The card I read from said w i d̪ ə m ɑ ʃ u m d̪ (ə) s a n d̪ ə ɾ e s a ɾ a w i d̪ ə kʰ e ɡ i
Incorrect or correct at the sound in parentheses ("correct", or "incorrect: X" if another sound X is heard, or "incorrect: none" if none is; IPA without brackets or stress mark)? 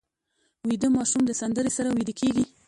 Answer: correct